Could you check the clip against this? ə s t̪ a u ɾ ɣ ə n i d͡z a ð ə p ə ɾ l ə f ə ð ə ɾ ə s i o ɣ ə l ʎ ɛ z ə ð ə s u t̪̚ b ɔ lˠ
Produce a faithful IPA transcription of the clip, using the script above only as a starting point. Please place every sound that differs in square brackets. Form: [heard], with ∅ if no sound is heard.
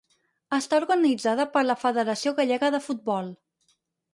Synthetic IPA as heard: ə s t̪ a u ɾ ɣ ə n i d͡z a ð ə p ə ɾ l ə f ə ð ə ɾ ə s i o ɣ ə [∅] ʎ ɛ [ɣ] ə ð ə [f] u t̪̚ b ɔ lˠ